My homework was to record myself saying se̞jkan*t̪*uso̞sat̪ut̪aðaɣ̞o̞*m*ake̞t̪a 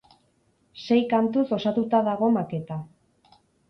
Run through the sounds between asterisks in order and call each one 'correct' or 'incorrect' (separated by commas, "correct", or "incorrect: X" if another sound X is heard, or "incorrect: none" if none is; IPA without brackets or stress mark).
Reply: correct, correct